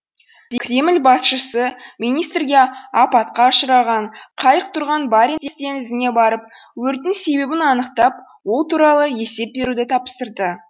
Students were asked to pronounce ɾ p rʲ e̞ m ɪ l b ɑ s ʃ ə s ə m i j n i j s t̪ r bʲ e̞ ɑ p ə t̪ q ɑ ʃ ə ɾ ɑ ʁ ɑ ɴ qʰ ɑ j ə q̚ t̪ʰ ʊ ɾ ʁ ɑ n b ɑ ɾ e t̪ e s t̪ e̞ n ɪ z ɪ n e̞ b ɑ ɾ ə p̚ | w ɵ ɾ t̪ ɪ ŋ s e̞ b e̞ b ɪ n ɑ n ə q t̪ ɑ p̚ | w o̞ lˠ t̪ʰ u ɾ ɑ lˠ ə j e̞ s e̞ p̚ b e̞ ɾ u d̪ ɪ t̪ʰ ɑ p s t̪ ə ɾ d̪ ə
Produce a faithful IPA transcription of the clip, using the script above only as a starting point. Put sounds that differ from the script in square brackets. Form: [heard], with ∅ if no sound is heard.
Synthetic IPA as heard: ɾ [k] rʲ e̞ m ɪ l b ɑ s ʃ ə s ə m i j n i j s t̪ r [ɡʲ] e̞ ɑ p [ɑ] t̪ q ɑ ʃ ə ɾ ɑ ʁ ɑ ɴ qʰ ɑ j ə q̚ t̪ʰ ʊ ɾ ʁ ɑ n b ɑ ɾ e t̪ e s t̪ e̞ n ɪ z ɪ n e̞ b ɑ ɾ ə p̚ | w ɵ ɾ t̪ ɪ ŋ s e̞ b e̞ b ɪ n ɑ n ə q t̪ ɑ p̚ | w o̞ lˠ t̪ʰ u ɾ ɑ lˠ ə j e̞ s e̞ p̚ b e̞ ɾ u d̪ ɪ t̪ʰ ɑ p s t̪ ə ɾ d̪ ə